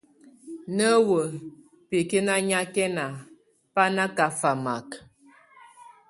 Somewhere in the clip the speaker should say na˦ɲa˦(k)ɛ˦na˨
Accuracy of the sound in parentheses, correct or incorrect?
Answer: correct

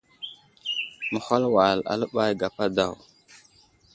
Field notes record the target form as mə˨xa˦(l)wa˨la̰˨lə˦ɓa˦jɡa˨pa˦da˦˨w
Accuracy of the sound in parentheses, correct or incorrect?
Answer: correct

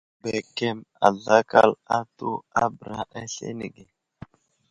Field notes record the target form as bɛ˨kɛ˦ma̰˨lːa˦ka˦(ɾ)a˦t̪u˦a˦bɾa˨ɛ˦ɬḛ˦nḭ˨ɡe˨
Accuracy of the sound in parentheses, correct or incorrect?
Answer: incorrect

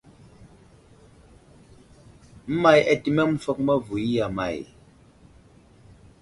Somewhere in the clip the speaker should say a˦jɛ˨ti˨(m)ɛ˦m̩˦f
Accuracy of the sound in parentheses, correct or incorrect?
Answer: correct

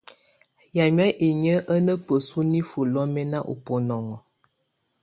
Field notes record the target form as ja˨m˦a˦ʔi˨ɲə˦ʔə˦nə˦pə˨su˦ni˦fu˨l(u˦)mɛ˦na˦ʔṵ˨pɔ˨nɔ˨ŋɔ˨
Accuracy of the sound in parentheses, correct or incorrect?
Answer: incorrect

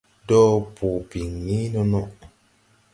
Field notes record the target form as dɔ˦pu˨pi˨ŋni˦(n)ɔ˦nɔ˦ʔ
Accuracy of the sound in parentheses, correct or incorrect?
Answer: correct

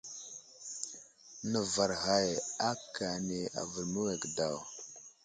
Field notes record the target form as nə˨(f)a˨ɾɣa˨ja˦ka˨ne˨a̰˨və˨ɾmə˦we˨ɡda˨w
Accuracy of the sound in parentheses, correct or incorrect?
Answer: incorrect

